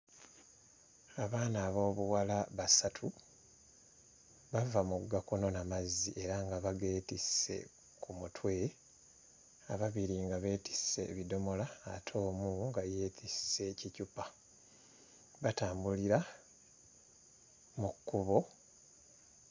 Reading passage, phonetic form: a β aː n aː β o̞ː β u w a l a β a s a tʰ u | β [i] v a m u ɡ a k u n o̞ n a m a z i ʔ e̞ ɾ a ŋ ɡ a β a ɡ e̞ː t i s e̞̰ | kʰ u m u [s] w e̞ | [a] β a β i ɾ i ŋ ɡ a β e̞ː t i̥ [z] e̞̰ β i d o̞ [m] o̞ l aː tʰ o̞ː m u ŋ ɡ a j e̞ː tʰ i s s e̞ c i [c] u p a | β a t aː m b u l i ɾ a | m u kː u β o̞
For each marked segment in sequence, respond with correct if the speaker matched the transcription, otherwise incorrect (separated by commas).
incorrect, incorrect, correct, incorrect, correct, correct